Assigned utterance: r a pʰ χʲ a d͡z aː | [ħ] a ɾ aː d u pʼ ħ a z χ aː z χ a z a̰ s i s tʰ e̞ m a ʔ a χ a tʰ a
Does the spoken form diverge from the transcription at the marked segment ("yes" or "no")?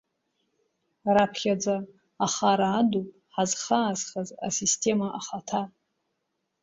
yes